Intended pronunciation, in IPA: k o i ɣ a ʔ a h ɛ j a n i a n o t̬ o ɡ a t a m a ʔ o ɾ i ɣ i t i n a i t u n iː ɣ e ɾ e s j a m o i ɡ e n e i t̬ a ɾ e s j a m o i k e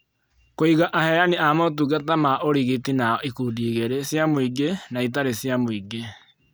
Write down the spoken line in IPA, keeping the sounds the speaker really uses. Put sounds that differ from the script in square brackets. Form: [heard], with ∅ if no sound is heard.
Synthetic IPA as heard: k o i ɣ a ʔ a h ɛ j a n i a [m] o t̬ [u] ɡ a t a m a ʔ o ɾ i ɣ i t i n a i [k] u [d] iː ɣ e ɾ e s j a m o i ɡ e n [a] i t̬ a ɾ e s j a m o i [ɡ] e